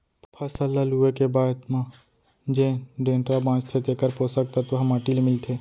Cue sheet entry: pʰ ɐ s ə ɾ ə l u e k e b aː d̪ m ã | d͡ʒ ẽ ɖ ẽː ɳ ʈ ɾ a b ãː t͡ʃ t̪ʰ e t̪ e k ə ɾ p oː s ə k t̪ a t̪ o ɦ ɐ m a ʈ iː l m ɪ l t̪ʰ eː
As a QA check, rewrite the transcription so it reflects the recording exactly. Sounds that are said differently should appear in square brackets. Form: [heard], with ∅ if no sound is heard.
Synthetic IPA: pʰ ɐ s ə [l] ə l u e k e b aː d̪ m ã | d͡ʒ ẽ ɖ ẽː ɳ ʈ ɾ a b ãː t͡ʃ t̪ʰ e t̪ e k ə ɾ p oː s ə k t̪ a t̪ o ɦ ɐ m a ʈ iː l m ɪ l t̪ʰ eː